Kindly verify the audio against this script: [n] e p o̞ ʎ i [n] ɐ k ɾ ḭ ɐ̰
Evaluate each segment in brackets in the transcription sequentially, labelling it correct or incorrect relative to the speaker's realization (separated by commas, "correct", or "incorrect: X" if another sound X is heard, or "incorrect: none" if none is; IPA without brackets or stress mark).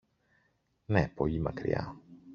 correct, incorrect: m